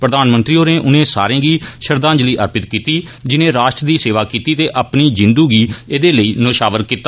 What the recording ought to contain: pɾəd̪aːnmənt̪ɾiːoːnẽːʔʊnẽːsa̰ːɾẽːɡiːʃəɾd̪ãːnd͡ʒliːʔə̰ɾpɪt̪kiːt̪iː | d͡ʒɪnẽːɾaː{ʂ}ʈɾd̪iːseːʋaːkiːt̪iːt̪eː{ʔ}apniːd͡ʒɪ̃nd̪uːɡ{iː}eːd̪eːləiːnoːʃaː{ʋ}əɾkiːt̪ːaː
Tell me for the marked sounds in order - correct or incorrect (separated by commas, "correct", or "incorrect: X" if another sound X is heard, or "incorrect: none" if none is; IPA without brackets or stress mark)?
incorrect: ʃ, correct, correct, correct